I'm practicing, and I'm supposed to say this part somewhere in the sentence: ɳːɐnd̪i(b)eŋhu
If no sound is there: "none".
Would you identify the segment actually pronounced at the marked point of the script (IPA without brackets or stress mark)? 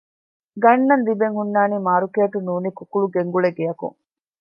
b